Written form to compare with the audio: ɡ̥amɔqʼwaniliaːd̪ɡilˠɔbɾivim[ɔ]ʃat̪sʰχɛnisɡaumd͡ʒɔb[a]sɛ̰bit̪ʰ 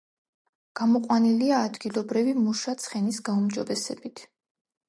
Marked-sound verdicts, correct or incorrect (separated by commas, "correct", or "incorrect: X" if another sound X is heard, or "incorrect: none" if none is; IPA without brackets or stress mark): incorrect: u, incorrect: ɛ